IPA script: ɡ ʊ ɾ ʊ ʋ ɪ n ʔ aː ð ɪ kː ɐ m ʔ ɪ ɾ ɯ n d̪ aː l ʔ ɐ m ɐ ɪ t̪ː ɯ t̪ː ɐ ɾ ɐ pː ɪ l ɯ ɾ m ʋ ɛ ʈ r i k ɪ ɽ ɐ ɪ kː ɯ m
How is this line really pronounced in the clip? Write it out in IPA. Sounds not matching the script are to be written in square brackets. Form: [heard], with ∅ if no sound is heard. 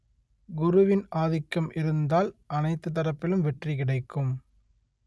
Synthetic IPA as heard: ɡ ʊ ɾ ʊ ʋ ɪ n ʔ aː ð ɪ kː ɐ m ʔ ɪ ɾ ɯ n d̪ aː l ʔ ɐ [n] ɐ ɪ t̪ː ɯ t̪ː ɐ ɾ ɐ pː ɪ l ɯ [∅] m ʋ ɛ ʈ r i k ɪ ɽ ɐ ɪ kː ɯ m